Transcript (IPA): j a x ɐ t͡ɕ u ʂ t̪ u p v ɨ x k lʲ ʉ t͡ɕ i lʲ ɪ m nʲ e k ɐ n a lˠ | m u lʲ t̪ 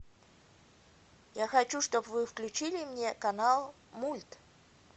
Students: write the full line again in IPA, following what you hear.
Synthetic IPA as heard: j a x ɐ t͡ɕ u ʂ t̪ o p v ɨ f k lʲ ʉ t͡ɕ i lʲ ɪ m nʲ e k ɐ n a lˠ | m u lʲ t̪

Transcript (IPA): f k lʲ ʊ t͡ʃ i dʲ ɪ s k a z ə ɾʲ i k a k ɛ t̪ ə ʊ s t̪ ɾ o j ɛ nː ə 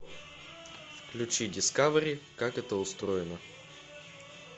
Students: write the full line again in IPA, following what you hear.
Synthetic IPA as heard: f k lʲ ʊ t͡ʃ i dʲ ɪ s k a v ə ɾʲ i k a k ɛ t̪ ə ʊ s t̪ ɾ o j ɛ n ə

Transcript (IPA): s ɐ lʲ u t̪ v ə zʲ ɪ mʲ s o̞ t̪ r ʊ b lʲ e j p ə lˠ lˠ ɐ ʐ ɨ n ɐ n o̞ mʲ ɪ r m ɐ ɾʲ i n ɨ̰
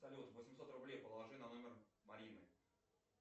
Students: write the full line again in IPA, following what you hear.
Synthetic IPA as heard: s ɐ lʲ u t̪ v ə sʲ ɪ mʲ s o̞ t̪ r ʊ b lʲ e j p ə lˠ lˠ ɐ ʐ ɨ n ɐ n o̞ mʲ ɪ r m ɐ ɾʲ i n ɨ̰

